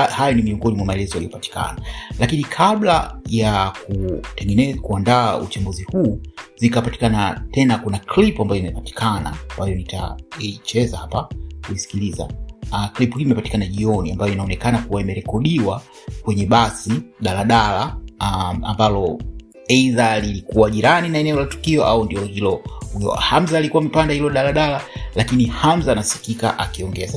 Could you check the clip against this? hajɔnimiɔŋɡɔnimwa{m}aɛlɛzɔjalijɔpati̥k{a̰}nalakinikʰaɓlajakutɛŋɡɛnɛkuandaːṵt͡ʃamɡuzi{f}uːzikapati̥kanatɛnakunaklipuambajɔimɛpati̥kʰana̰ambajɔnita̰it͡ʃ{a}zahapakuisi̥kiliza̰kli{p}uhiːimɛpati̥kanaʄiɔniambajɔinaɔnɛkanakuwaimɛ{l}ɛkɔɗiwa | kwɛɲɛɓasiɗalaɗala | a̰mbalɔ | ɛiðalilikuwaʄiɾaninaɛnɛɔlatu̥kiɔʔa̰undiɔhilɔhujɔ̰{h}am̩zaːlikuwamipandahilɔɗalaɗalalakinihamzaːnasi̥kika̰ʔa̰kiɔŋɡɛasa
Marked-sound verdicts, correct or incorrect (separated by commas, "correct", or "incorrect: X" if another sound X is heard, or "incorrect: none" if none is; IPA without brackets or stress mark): correct, correct, incorrect: h, incorrect: ɛ, correct, incorrect: ɾ, correct